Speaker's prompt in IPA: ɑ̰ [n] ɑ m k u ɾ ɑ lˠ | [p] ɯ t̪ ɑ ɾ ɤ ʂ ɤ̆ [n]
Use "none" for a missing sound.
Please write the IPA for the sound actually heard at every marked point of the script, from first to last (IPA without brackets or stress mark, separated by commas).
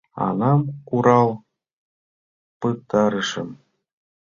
n, p, m